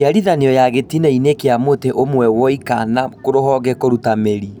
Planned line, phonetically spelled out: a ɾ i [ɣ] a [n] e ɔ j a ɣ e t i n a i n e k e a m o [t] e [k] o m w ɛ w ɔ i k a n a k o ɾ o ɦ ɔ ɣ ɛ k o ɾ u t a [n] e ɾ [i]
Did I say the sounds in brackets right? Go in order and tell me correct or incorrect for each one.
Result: incorrect: ð, correct, correct, incorrect: ʔ, incorrect: m, correct

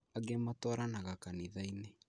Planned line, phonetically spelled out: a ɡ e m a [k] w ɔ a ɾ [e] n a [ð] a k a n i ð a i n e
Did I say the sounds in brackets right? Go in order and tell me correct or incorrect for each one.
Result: incorrect: t, incorrect: a, incorrect: ɣ

